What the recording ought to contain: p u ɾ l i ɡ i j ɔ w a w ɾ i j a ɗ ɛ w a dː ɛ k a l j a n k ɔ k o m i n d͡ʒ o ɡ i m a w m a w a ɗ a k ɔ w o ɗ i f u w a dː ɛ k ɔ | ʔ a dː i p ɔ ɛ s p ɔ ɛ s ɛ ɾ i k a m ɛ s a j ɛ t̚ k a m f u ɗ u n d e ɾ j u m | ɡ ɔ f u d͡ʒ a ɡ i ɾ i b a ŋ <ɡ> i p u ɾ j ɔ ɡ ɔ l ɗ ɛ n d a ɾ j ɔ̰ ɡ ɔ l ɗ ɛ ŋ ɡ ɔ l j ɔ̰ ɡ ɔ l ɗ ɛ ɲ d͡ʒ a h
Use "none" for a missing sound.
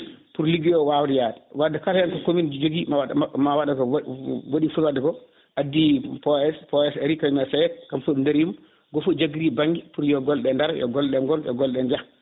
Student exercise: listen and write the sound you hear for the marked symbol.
ɡ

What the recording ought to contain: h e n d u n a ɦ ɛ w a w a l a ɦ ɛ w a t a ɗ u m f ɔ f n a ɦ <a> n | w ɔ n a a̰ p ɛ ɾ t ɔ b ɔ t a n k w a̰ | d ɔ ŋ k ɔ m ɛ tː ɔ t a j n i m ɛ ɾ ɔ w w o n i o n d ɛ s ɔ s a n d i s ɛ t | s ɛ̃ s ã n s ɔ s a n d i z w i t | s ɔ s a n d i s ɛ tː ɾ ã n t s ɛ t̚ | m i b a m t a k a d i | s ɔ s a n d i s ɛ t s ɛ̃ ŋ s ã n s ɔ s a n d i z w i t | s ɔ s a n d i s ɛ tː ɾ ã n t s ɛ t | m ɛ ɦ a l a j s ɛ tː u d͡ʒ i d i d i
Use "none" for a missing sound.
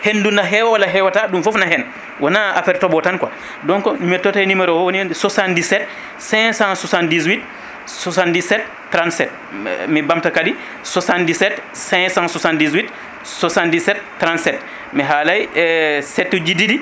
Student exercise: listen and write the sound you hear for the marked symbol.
ɛ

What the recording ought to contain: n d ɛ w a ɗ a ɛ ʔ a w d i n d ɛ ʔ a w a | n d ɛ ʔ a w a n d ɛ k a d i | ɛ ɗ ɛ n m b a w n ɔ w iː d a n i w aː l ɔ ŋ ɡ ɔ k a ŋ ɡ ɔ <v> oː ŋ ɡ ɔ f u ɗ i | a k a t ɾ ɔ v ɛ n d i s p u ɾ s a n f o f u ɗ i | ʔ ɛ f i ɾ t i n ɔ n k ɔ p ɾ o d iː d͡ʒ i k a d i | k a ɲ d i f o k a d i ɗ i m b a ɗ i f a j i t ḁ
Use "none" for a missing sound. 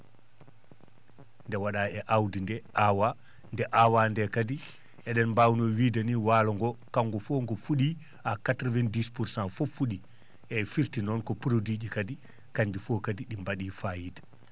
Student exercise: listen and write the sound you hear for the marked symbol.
f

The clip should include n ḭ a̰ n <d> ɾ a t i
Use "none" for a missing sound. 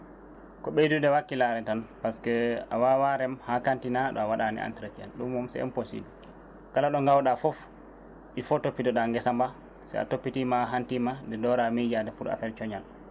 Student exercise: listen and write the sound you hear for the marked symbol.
t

